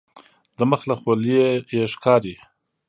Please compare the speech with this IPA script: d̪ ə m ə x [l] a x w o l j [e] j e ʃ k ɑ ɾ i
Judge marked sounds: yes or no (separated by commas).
yes, yes